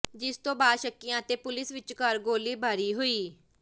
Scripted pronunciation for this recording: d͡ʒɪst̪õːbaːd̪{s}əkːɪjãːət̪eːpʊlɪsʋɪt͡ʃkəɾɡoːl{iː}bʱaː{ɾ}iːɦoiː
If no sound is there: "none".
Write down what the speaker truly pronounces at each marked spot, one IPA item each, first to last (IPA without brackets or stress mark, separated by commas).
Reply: ʃ, iː, ɾ